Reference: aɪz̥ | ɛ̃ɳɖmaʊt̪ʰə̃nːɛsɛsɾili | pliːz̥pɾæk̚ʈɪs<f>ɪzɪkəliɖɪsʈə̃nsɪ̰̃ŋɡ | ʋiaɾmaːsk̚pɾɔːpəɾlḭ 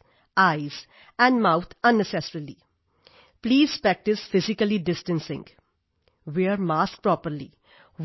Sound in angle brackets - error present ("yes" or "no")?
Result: no